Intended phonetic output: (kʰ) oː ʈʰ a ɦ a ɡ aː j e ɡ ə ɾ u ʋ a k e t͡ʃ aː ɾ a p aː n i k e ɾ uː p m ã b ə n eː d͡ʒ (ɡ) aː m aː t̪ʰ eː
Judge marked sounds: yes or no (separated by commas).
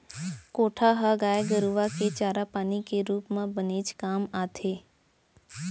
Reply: no, no